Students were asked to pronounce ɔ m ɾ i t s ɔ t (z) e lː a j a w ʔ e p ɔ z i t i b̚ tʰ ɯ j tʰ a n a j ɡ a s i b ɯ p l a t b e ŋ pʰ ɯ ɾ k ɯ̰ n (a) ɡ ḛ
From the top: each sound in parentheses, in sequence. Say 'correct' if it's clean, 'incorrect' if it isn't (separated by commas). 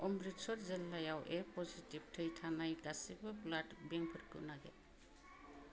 correct, correct